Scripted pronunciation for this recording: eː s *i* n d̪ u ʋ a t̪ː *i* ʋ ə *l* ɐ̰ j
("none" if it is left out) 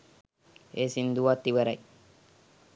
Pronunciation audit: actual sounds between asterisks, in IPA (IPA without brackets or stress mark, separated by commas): i, i, ɾ